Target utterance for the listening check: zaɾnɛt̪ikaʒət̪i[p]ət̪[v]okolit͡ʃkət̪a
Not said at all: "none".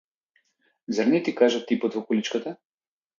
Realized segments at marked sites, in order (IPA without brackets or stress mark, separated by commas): p, v